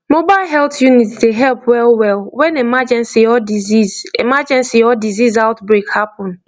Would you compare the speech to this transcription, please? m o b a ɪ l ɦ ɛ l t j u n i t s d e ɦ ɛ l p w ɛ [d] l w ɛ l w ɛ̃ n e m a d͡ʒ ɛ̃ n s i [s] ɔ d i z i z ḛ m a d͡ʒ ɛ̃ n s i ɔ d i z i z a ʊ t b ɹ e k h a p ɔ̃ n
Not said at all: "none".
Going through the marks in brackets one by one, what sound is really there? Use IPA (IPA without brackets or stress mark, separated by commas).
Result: none, none